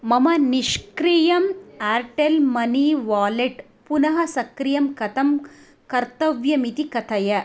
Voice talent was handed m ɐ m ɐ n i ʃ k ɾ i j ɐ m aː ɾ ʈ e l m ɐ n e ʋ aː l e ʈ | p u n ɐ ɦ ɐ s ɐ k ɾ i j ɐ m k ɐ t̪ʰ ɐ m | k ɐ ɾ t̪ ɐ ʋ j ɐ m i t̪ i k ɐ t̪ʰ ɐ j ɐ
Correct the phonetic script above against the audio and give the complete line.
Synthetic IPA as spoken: m ɐ m ɐ n i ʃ k ɾ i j ɐ m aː ɾ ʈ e l m ɐ n i ʋ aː l e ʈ | p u n ɐ ɦ ɐ s ɐ k ɾ i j ɐ m k ɐ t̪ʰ ɐ m | k ɐ ɾ t̪ ɐ ʋ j ɐ m i t̪ i k ɐ t̪ʰ ɐ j ɐ